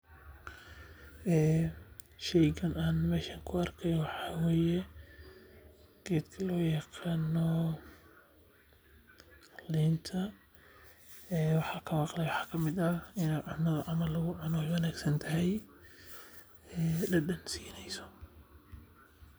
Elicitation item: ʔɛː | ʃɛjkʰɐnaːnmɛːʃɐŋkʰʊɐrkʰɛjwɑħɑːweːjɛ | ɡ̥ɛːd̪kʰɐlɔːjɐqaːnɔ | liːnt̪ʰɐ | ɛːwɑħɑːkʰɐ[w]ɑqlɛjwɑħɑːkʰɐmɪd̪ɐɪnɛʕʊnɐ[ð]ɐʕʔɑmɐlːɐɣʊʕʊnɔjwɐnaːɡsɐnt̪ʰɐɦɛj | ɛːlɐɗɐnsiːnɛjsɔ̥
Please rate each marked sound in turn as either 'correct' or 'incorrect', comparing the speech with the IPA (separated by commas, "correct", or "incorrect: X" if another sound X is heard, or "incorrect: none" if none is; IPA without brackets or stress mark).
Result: correct, correct